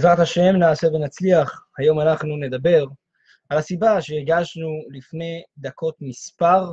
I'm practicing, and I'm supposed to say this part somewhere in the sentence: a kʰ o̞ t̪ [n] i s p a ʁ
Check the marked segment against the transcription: incorrect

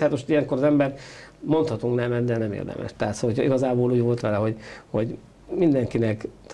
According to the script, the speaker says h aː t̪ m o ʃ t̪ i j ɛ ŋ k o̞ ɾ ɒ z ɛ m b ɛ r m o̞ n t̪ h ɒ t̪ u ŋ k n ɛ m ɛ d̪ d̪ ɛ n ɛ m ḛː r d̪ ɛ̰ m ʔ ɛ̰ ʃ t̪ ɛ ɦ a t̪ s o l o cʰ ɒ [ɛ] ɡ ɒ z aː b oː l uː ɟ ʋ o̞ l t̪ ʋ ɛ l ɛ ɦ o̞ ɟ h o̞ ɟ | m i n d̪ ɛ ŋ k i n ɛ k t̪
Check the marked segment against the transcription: incorrect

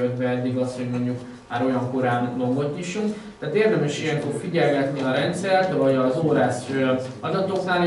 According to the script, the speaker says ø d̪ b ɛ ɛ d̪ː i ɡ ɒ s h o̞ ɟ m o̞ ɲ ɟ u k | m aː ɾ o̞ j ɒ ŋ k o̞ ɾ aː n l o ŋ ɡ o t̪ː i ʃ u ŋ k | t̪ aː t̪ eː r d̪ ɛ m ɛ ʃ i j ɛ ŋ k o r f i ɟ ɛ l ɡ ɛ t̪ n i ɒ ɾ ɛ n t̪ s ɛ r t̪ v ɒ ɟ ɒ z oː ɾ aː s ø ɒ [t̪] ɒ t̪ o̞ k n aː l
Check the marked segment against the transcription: incorrect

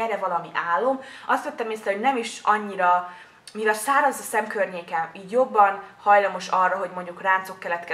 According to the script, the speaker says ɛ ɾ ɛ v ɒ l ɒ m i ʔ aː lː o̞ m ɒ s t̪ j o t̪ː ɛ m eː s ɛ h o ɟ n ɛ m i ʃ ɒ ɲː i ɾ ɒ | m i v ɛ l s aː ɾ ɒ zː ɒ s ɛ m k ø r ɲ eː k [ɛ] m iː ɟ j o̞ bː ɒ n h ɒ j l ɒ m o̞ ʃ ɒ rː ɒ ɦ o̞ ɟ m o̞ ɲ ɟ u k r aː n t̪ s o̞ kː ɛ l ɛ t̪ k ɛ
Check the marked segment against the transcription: correct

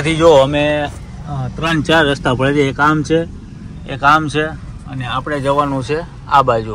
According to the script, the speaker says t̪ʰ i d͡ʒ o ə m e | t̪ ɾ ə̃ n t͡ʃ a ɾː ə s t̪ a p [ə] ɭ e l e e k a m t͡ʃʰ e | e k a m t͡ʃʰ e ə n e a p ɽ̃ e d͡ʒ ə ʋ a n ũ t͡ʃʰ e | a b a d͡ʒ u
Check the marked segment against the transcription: correct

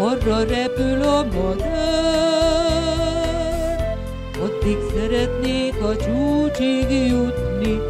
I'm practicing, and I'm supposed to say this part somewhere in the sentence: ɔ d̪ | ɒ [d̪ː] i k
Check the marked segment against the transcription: correct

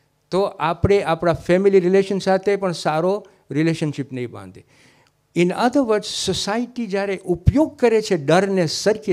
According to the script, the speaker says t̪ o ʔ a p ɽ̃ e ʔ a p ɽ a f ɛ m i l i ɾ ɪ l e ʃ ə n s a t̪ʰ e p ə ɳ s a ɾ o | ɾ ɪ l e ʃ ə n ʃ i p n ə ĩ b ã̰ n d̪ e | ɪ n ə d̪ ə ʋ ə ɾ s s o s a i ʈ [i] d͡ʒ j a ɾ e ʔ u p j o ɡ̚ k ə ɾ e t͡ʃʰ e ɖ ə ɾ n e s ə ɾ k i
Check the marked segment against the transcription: correct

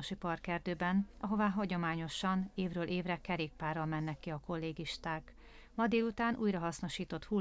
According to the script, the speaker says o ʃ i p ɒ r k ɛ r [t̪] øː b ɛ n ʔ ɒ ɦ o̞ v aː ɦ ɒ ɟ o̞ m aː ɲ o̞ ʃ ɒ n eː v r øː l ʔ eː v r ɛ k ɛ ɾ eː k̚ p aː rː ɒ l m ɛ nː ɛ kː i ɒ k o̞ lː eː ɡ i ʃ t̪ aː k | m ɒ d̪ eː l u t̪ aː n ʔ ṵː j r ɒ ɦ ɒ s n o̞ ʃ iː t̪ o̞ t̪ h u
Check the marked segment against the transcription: incorrect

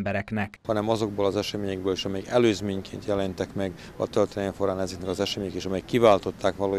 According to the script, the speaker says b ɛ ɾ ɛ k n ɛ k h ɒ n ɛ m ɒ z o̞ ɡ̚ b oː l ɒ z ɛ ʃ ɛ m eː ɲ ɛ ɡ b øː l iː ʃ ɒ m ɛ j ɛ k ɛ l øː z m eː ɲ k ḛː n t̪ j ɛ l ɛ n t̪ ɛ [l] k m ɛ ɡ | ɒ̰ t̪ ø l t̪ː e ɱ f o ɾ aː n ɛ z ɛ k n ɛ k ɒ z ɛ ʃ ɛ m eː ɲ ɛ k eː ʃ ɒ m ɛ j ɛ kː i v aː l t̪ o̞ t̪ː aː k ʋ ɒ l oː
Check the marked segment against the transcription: incorrect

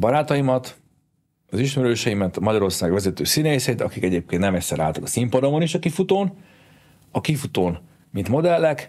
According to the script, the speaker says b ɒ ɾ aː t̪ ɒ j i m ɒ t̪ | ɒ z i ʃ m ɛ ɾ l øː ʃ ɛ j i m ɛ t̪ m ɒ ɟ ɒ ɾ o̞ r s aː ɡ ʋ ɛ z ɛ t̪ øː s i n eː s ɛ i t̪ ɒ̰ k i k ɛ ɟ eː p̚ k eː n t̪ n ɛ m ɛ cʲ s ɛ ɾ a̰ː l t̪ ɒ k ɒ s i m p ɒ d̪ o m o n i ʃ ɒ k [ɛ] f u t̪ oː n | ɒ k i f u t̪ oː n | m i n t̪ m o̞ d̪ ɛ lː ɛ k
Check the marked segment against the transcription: incorrect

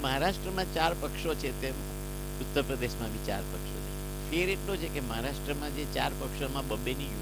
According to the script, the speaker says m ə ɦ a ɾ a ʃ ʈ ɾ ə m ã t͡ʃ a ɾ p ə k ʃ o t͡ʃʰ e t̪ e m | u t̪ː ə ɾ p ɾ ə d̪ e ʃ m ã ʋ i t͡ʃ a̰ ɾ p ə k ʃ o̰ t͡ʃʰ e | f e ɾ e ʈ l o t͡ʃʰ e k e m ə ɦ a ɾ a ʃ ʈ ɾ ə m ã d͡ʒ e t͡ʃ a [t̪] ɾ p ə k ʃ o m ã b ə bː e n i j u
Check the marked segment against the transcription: incorrect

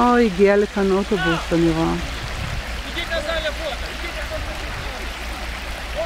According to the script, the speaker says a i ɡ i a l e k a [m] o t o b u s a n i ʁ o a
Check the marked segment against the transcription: incorrect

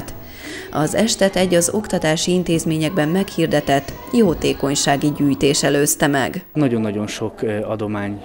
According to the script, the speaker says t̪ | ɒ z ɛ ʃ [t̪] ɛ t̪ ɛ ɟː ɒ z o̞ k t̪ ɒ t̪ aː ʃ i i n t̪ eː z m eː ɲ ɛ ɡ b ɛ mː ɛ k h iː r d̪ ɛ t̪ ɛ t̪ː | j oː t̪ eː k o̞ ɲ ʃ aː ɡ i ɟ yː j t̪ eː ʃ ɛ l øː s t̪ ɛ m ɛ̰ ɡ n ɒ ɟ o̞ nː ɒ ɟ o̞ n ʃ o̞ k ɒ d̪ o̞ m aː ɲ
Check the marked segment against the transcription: correct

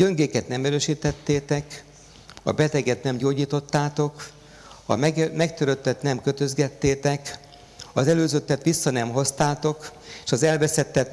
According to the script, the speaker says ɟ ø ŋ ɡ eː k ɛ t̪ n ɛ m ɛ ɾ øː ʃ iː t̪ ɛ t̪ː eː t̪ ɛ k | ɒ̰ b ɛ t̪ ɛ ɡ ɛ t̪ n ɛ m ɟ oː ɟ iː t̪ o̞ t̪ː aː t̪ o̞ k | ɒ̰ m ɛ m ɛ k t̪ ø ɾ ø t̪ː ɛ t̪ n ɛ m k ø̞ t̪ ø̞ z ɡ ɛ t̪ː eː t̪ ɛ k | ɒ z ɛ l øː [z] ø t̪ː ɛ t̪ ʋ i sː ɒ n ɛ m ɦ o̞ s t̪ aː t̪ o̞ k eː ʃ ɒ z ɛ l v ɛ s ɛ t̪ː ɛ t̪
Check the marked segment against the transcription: correct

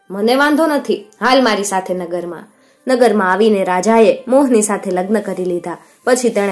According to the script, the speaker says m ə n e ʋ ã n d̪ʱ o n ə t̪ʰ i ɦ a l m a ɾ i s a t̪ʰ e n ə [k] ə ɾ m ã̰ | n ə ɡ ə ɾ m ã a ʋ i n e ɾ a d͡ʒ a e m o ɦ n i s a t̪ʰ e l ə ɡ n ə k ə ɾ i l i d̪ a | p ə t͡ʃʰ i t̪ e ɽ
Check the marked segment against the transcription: incorrect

